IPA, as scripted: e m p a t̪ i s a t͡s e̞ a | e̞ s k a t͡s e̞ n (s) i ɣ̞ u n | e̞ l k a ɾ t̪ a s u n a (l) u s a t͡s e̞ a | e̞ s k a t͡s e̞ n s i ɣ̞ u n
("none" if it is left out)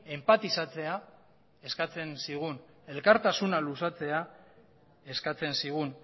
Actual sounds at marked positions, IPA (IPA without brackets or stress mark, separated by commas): s, l